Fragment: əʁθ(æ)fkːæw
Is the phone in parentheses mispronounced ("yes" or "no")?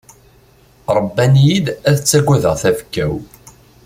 no